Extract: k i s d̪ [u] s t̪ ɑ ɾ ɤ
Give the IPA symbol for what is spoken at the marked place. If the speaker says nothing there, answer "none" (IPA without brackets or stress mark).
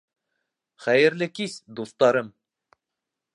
u